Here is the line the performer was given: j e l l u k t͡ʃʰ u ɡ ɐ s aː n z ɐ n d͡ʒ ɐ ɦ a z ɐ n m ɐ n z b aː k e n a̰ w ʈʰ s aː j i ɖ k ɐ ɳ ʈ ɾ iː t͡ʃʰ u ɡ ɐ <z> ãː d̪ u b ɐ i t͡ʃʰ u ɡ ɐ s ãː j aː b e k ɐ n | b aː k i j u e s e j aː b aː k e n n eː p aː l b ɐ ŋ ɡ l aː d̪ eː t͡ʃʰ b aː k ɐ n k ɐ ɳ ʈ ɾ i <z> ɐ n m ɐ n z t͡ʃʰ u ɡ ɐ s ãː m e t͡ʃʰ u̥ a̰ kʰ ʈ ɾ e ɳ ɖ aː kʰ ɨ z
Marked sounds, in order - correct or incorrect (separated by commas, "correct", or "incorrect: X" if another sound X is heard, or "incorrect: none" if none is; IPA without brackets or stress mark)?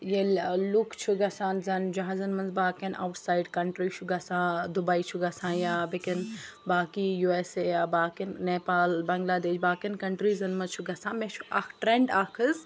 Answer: incorrect: s, correct